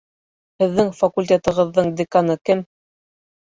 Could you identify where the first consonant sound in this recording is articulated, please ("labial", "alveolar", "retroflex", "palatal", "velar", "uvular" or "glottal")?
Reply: glottal